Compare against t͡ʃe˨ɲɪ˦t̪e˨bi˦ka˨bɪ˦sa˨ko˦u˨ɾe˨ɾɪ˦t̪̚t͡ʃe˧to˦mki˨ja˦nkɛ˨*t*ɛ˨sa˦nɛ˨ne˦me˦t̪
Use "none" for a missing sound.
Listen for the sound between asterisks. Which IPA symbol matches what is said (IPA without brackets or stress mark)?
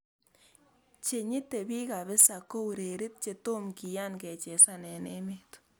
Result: t͡ʃ